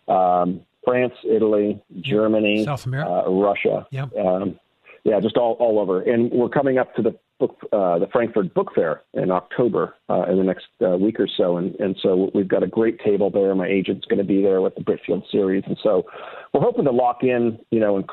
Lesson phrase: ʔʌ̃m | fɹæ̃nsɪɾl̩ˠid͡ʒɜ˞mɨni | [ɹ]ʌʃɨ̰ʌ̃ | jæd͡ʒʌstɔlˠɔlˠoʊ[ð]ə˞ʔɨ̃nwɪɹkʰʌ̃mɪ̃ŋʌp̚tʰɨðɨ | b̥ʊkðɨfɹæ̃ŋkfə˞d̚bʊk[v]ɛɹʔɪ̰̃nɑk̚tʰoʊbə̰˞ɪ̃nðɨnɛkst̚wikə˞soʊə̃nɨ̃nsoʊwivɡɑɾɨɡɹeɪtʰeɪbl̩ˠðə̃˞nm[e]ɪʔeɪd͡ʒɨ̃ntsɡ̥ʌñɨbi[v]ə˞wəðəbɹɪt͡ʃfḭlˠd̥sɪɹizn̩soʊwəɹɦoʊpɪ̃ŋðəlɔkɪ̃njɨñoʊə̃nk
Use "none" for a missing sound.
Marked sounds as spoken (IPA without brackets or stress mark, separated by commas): ɹ, v, f, a, ð